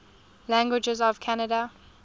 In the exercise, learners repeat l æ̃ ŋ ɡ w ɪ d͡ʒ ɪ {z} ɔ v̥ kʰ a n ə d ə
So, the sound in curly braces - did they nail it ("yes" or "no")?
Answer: yes